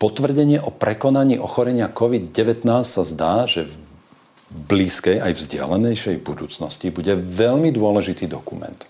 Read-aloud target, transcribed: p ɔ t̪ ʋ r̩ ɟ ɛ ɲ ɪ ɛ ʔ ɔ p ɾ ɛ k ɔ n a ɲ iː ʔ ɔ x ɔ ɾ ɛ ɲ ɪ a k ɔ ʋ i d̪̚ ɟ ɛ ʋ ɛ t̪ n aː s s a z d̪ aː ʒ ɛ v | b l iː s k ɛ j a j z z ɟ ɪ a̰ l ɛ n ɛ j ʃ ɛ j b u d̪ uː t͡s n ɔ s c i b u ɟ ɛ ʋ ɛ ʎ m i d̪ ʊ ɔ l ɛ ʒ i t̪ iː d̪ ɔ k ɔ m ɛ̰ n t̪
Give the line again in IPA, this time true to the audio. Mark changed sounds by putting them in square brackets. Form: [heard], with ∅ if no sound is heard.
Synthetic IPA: p ɔ t̪ ʋ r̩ ɟ ɛ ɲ ɪ ɛ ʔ ɔ p ɾ ɛ k ɔ n a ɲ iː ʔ ɔ x ɔ ɾ ɛ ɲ ɪ a k ɔ ʋ i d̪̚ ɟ ɛ ʋ ɛ t̪ n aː s s a z d̪ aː ʒ ɛ v | b l iː s k ɛ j a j [v] z ɟ ɪ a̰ l ɛ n ɛ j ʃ ɛ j b u d̪ uː t͡s n ɔ s c i b u ɟ ɛ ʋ ɛ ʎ m i d̪ ʊ ɔ l ɛ ʒ i t̪ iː d̪ ɔ k [u] m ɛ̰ n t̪